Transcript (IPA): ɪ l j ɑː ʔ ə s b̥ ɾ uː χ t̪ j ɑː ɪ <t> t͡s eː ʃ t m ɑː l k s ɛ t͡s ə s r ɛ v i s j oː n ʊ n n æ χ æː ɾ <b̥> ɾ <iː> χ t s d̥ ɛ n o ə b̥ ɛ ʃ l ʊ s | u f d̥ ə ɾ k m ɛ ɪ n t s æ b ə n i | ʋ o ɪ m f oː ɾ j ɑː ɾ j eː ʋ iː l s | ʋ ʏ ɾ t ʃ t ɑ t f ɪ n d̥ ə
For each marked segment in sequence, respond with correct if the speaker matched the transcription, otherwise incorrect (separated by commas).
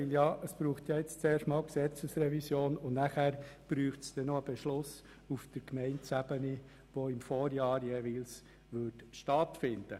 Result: incorrect, correct, incorrect